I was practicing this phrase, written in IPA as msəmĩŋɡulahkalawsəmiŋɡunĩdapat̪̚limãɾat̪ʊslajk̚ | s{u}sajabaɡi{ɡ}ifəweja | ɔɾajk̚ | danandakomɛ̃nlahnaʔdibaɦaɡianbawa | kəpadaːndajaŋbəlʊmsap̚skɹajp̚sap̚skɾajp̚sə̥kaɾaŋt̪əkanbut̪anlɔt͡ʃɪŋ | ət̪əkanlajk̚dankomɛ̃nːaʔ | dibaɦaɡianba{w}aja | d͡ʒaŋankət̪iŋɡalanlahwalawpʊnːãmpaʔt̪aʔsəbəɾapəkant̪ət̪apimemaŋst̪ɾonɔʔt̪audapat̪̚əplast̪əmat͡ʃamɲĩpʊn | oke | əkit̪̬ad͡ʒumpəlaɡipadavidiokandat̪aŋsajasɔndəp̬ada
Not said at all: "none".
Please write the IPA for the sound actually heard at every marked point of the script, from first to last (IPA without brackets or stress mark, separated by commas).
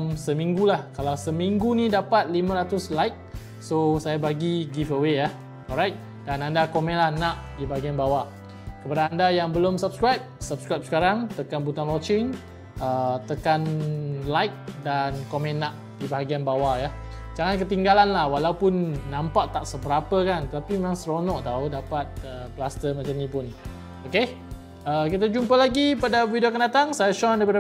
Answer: o, ɡ, w